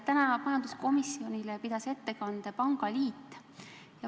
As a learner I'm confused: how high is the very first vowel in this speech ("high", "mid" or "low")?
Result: low